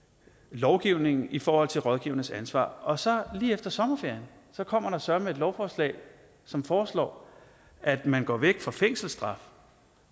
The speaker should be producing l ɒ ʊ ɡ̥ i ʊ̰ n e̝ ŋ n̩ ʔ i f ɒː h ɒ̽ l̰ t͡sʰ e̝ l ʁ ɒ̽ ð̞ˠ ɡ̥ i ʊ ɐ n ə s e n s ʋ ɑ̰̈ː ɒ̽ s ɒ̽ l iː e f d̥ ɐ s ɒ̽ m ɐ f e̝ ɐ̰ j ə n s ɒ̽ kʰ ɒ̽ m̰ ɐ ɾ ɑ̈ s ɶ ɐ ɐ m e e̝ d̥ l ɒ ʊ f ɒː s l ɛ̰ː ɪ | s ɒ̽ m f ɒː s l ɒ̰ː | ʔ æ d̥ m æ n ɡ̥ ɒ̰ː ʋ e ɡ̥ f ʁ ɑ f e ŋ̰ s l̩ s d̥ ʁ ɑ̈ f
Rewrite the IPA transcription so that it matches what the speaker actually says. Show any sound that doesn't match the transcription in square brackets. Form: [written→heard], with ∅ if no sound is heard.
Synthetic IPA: l ɒ ʊ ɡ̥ i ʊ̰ n e̝ ŋ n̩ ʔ i f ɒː h ɒ̽ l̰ t͡sʰ e̝ l ʁ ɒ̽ ð̞ˠ ɡ̥ i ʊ ɐ n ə s [e→æ] n s ʋ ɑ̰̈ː ɒ̽ s ɒ̽ l iː e f d̥ ɐ s ɒ̽ m ɐ f e̝ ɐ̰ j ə n s ɒ̽ kʰ ɒ̽ m̰ ɐ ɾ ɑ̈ s ɶ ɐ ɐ m e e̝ d̥ l ɒ ʊ f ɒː s l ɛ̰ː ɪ | s ɒ̽ m f ɒː s l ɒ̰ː | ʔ æ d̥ m æ n ɡ̥ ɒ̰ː ʋ e ɡ̥ f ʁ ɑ f e ŋ̰ s l̩ s d̥ ʁ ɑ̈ f